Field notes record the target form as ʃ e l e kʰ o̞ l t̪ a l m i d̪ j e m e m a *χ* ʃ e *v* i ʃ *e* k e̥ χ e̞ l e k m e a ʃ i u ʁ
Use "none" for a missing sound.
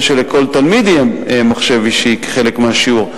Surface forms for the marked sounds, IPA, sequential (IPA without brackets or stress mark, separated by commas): χ, v, i